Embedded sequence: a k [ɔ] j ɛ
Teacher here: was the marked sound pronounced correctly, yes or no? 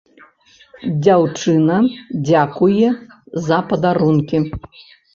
no